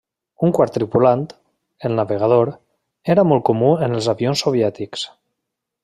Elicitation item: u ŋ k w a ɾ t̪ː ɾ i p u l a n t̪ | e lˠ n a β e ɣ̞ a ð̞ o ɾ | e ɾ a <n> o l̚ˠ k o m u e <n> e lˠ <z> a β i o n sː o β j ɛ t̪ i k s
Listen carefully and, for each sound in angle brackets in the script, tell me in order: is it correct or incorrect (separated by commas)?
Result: incorrect, correct, correct